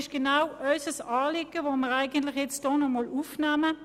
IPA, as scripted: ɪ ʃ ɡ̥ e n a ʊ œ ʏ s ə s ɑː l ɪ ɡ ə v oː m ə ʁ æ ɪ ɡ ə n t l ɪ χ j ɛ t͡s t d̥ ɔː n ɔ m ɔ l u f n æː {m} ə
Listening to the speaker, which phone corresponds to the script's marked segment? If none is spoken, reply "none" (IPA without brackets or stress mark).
m